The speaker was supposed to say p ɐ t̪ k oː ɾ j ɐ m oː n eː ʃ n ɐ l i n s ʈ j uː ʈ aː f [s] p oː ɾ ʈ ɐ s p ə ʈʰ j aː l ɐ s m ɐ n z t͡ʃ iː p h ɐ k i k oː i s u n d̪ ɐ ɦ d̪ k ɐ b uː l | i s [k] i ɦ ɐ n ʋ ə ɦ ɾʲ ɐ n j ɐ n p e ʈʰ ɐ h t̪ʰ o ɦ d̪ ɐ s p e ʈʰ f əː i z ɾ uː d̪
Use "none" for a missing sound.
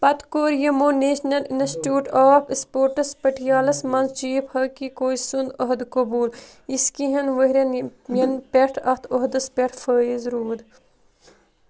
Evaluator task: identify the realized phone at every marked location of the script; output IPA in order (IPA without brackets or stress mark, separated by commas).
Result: s, k